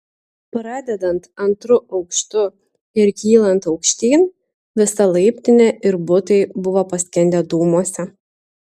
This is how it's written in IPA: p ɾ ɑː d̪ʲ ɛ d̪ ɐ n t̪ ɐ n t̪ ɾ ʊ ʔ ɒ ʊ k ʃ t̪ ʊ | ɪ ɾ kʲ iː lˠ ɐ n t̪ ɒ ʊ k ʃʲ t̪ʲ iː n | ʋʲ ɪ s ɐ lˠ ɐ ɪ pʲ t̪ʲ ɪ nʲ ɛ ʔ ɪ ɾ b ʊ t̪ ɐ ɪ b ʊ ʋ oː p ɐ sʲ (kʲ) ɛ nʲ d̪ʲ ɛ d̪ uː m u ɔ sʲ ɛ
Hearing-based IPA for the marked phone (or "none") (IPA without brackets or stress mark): kʲ